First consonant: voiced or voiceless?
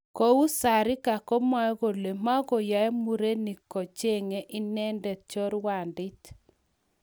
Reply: voiceless